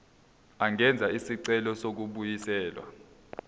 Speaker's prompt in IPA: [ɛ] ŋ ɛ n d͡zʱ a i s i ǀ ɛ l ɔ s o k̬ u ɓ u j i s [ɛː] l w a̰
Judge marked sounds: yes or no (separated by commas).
no, yes